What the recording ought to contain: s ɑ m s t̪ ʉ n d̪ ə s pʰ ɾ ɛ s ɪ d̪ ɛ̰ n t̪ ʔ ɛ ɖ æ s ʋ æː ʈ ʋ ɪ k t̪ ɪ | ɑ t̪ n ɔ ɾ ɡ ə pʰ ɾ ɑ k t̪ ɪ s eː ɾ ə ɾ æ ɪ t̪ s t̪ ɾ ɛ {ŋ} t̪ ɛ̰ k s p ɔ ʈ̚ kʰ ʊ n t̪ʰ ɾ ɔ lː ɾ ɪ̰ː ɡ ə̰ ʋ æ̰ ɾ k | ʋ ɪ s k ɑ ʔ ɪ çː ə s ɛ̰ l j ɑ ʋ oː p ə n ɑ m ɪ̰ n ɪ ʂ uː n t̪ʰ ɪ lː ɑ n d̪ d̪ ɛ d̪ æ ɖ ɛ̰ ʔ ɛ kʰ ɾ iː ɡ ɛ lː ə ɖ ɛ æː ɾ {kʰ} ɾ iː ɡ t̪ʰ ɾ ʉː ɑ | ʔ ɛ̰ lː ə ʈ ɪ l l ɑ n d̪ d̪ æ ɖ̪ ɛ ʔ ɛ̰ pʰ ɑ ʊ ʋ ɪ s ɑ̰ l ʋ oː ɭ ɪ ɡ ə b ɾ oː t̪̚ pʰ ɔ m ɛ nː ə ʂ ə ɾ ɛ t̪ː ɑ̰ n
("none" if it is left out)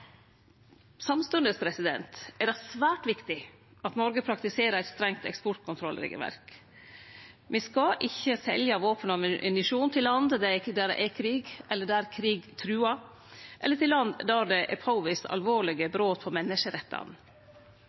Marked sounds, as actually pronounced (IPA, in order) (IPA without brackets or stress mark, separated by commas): ŋ, kʰ